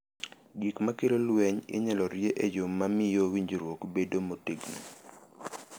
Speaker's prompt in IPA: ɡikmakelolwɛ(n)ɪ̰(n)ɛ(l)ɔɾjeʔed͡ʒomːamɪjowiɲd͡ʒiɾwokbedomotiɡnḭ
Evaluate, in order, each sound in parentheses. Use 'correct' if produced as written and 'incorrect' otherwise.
incorrect: ɲ, incorrect: ɲ, correct

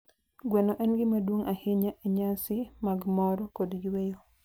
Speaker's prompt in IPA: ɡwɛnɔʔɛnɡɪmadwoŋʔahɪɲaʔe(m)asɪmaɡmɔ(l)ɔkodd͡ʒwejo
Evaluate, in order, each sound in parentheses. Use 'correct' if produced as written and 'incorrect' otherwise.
incorrect: ɲ, incorrect: ɾ

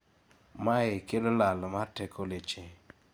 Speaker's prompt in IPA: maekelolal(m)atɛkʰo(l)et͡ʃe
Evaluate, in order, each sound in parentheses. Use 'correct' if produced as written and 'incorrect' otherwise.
correct, correct

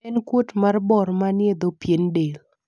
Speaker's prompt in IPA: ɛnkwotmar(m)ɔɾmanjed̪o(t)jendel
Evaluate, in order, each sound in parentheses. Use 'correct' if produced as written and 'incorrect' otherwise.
incorrect: b, incorrect: p

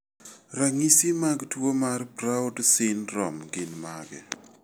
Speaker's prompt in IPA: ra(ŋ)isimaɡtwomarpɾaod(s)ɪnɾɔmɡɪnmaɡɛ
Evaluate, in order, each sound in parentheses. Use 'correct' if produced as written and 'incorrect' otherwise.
correct, correct

